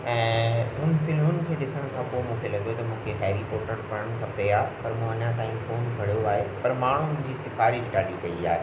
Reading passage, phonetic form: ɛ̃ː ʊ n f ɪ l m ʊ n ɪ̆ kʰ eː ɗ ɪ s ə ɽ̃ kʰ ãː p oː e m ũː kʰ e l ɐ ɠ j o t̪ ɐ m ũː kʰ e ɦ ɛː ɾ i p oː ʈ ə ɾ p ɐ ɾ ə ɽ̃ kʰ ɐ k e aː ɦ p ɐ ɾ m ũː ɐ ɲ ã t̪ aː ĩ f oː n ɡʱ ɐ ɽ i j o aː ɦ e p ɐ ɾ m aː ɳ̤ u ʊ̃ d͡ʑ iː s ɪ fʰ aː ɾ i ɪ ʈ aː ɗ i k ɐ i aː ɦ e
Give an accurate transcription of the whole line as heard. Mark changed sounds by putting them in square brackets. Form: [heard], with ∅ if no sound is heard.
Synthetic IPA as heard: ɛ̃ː ʊ n f ɪ l m ʊ n ɪ̆ kʰ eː ɗ ɪ s ə ɽ̃ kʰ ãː p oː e m ũː kʰ e l ɐ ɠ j o t̪ ɐ m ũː kʰ e ɦ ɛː ɾ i p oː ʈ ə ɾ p ɐ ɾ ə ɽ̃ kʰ ɐ [p] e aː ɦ p ɐ ɾ m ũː ɐ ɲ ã t̪ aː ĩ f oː n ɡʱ ɐ ɽ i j o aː ɦ e p ɐ ɾ m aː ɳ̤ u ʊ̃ d͡ʑ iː s ɪ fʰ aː ɾ i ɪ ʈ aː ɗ i k ɐ i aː ɦ e